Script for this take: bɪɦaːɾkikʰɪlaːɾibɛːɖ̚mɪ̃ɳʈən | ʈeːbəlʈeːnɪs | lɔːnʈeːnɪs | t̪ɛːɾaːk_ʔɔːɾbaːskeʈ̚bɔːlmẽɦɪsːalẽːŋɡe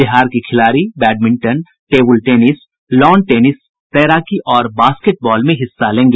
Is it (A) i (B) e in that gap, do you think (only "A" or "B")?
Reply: A